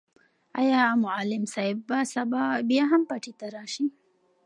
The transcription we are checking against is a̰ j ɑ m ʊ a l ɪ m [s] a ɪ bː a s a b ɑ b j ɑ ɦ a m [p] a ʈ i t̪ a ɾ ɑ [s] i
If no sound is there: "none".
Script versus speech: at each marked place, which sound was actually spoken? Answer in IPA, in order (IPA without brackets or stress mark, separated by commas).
s, p, ʃ